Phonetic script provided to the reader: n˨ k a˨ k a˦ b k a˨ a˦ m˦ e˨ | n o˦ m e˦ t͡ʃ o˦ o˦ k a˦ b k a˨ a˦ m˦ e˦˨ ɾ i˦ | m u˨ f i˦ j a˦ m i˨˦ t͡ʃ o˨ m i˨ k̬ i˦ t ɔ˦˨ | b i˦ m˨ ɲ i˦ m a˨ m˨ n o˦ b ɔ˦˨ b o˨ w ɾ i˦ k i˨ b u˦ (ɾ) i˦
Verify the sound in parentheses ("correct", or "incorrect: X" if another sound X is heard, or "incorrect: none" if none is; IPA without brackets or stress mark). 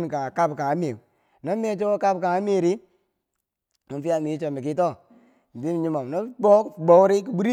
correct